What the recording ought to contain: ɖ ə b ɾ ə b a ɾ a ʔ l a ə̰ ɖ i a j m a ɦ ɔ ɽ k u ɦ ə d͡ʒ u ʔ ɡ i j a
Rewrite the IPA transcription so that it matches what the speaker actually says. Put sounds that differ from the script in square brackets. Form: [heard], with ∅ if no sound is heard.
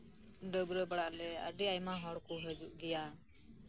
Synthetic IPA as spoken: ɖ ə b ɾ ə b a [ɽ] a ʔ l [ɛ] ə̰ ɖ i a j m a ɦ ɔ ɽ k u ɦ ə d͡ʒ u ʔ ɡ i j a